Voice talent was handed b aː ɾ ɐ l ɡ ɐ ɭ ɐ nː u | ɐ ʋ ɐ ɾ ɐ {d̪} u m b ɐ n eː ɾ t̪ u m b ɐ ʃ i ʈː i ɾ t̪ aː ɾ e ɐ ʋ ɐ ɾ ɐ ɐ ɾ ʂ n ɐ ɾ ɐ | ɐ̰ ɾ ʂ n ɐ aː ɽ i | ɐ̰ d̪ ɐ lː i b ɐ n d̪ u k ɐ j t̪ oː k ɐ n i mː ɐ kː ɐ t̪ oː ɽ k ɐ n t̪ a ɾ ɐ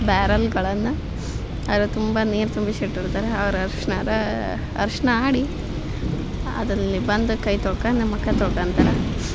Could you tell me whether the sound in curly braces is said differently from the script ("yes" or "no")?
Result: yes